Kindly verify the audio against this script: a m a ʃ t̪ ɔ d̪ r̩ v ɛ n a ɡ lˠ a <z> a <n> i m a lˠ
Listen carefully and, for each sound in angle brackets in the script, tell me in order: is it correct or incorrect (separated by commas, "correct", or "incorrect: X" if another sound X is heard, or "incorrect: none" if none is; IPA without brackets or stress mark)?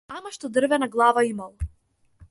incorrect: v, incorrect: none